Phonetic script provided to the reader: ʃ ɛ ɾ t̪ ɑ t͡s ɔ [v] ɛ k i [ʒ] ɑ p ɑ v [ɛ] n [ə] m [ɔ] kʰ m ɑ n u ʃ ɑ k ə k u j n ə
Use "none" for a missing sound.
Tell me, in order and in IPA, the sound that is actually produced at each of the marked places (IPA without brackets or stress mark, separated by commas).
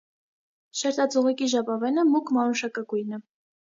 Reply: ʁ, ʒ, ɛ, ə, u